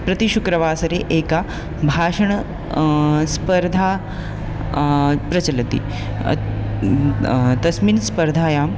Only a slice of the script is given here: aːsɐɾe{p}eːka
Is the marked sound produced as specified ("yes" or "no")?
no